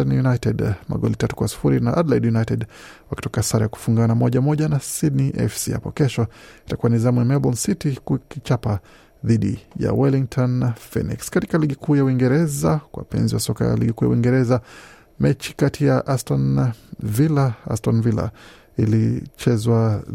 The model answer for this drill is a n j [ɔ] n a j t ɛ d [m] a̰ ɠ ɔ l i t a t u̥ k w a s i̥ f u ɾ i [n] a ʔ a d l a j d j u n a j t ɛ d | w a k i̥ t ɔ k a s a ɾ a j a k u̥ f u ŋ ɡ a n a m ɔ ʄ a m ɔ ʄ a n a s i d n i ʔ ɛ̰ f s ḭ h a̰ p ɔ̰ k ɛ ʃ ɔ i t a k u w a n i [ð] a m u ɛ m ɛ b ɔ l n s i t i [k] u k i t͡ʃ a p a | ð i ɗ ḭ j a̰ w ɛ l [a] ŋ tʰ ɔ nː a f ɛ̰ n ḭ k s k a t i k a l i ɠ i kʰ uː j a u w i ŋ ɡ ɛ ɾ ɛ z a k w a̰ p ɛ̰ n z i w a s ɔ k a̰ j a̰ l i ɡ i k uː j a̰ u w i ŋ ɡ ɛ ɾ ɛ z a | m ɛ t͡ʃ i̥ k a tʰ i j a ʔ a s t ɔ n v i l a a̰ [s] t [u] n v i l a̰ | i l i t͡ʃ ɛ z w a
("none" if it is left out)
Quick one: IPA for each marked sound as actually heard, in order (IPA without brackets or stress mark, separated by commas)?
u, m, n, z, k, i, s, ɔ